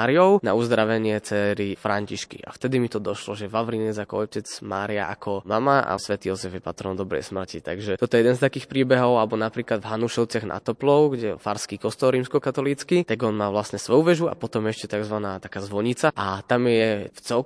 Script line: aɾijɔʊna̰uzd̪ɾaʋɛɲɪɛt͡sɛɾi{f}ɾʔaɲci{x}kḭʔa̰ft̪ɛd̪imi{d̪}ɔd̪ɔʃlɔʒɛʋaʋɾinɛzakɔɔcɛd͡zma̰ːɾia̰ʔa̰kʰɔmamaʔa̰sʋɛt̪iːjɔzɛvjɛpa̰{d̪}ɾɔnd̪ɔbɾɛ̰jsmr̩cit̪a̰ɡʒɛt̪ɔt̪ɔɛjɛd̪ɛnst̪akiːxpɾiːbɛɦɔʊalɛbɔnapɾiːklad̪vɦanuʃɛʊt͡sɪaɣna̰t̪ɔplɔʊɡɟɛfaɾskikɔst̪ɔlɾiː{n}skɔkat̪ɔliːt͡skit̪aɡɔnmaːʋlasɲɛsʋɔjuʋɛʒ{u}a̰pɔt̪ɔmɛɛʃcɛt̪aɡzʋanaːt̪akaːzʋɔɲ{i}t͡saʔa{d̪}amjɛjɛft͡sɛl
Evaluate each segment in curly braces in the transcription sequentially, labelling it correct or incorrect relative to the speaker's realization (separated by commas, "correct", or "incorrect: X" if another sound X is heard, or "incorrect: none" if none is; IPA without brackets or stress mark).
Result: correct, incorrect: ʃ, incorrect: t̪, incorrect: t̪, incorrect: m, correct, correct, incorrect: t̪